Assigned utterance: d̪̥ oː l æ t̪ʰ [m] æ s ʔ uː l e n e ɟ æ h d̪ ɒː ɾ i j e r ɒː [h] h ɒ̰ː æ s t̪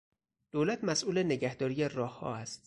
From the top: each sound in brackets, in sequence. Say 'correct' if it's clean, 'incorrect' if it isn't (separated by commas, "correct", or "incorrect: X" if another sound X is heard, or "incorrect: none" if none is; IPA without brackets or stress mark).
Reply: correct, correct